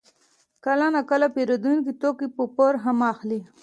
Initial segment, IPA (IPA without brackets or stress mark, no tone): k